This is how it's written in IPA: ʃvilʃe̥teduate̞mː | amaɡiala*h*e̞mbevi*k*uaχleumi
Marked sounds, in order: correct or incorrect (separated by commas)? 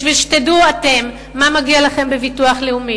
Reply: incorrect, incorrect